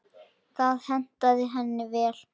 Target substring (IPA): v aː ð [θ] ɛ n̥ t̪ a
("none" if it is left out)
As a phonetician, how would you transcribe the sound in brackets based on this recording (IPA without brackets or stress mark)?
h